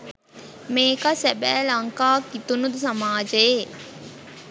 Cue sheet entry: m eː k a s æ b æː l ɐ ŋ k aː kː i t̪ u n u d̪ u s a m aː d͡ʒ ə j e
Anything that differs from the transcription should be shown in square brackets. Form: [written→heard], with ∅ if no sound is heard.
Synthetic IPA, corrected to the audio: m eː k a s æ b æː l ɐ ŋ k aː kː i t̪ u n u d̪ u s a m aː d͡ʒ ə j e